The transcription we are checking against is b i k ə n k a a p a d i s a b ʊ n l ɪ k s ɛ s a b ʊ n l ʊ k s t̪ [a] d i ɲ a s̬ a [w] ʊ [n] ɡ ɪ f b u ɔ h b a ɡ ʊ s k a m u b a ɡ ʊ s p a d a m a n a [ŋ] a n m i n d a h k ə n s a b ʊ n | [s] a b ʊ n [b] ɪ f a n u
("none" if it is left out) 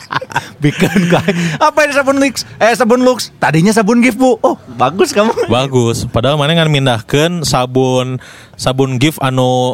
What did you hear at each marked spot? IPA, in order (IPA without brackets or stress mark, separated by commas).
a, b, n, ŋ, s, ɡ